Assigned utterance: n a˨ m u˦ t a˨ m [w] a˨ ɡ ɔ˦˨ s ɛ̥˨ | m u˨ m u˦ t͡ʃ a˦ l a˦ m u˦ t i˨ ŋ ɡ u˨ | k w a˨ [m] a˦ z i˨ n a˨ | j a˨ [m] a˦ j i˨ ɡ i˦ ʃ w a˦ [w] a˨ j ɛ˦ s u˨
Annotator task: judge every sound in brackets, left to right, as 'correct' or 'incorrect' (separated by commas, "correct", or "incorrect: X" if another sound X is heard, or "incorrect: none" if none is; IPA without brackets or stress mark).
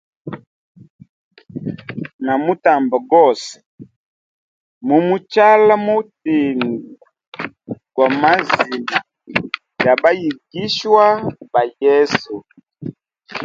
incorrect: b, correct, incorrect: b, incorrect: b